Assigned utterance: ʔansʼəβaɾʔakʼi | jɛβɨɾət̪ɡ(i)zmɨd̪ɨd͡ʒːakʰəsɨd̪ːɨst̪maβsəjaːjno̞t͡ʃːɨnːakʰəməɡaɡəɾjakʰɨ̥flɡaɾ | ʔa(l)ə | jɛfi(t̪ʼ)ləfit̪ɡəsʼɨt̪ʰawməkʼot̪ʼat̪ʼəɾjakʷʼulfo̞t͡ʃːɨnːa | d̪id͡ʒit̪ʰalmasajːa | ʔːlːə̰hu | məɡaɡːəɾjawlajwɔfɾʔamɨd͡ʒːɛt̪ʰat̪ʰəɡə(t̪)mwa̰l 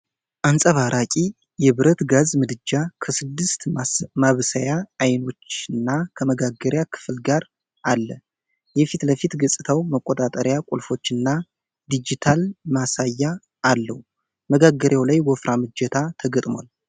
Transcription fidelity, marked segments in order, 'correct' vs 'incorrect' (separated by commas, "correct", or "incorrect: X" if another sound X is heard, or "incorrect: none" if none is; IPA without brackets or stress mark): incorrect: a, incorrect: lː, incorrect: t̪, incorrect: t̪ʼ